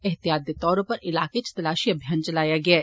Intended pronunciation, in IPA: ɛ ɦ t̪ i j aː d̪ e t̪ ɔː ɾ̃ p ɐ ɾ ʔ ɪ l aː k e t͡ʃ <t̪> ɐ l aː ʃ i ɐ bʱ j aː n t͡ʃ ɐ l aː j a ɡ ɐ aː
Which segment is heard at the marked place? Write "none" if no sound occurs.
t̪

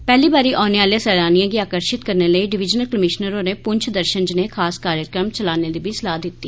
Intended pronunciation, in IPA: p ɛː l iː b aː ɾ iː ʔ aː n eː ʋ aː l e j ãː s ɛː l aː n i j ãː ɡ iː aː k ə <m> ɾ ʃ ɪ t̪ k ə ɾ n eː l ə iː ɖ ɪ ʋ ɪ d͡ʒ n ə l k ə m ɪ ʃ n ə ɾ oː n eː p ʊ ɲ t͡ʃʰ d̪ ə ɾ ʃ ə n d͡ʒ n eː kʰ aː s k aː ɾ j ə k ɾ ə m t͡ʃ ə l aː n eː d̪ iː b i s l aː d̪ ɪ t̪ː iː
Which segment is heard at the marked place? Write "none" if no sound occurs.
none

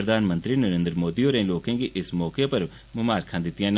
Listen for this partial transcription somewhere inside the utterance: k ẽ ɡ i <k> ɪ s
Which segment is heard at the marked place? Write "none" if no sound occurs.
ʔ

